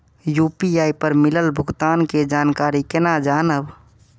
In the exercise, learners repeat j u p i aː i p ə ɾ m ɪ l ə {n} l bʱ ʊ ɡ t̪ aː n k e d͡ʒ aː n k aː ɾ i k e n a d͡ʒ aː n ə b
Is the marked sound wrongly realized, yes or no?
yes